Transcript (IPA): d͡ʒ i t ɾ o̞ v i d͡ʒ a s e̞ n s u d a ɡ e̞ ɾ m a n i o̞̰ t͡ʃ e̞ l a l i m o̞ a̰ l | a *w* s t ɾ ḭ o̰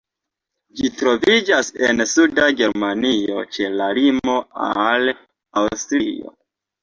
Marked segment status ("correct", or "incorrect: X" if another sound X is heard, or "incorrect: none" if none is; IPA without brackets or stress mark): correct